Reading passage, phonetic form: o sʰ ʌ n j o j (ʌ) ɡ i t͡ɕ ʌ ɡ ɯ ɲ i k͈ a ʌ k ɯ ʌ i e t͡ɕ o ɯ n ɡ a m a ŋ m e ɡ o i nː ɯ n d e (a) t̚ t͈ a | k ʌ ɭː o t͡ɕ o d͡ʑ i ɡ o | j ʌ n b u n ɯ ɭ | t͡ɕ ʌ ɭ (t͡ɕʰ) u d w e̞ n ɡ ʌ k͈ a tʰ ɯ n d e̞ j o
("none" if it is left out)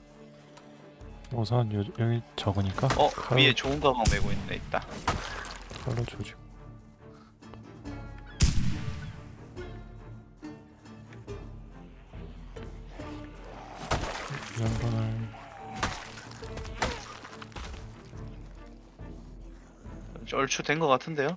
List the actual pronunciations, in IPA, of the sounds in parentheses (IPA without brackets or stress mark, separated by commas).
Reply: ʌ, i, t͡ɕʰ